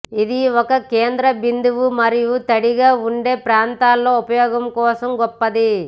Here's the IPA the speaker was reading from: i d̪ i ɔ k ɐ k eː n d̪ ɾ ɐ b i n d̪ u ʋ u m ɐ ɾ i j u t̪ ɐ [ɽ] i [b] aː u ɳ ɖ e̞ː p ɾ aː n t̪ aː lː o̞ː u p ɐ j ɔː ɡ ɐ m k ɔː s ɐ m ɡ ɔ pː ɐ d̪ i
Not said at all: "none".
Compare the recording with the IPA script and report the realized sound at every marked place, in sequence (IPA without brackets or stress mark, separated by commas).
ɽ, ɡ